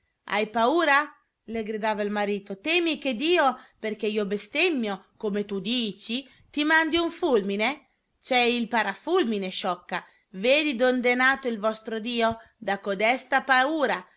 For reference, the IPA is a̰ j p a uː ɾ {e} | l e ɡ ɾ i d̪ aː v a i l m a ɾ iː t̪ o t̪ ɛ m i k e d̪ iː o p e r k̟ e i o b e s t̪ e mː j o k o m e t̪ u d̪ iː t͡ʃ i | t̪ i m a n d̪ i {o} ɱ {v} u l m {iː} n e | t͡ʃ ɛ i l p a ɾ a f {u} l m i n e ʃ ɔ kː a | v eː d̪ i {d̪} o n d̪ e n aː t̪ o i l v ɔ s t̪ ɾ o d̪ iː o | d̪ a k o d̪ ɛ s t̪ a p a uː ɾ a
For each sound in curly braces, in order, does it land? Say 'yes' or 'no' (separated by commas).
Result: no, no, no, no, yes, yes